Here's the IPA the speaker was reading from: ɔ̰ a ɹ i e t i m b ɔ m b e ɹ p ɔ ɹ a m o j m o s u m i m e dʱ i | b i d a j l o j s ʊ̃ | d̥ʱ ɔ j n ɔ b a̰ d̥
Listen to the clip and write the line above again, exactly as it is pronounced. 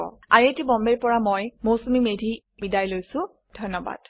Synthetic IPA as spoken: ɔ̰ a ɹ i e t i b ɔ m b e ɹ p ɔ ɹ a m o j m o s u m i m e dʱ i | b i d a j l o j s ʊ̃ | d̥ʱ ɔ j n ɔ b a̰ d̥